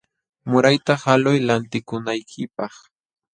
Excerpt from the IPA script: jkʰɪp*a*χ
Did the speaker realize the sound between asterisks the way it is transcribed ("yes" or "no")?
no